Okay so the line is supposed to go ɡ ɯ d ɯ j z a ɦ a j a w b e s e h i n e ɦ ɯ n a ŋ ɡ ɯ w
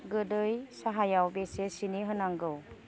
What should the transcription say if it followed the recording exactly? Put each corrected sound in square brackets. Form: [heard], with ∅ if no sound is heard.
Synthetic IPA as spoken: ɡ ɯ d ɯ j [s] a ɦ a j a w b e s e [s] i n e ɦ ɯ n a ŋ ɡ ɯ w